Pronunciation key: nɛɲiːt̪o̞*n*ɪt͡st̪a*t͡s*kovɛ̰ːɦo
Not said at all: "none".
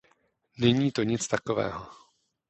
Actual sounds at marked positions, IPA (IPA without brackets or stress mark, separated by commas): ɲ, none